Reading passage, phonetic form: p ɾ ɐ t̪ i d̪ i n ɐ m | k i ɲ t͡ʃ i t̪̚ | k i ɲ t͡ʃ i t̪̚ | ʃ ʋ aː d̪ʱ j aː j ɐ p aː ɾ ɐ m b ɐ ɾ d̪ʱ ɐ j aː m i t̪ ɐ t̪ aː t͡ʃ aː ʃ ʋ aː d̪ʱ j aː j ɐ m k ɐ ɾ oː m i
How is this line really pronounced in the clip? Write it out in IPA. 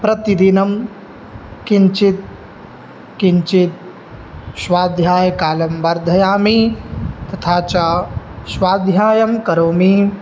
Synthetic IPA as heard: p ɾ ɐ t̪ i d̪ i n ɐ m | k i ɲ t͡ʃ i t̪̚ | k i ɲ t͡ʃ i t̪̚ | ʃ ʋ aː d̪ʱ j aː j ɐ k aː l ɐ m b ɐ ɾ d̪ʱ ɐ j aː m i t̪ ɐ t̪ʰ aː t͡ʃ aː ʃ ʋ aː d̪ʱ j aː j ɐ m k ɐ ɾ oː m i